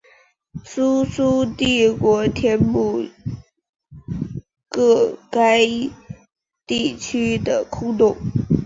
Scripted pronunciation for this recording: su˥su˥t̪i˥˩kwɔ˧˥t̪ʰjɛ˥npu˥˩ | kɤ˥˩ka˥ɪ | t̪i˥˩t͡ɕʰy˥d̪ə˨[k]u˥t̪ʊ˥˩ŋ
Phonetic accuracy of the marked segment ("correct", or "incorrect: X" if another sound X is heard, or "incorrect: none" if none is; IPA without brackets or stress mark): incorrect: kʰ